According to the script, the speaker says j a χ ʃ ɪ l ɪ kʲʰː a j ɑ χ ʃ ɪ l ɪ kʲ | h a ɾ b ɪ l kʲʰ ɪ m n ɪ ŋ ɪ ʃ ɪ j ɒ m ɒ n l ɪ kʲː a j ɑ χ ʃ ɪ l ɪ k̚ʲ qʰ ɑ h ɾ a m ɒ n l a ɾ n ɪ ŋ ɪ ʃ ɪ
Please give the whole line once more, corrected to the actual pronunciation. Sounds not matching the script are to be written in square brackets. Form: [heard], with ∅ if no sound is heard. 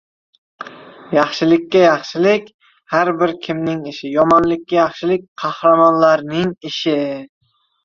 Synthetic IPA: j [ɑ] χ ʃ ɪ l ɪ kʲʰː a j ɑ χ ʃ ɪ l ɪ kʲ | h a ɾ b ɪ [ɾ] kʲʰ ɪ m n ɪ ŋ ɪ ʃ ɪ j ɒ m ɒ n l ɪ kʲː a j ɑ χ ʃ ɪ l ɪ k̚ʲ qʰ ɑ h ɾ a m ɒ n l a ɾ n ɪ ŋ ɪ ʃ ɪ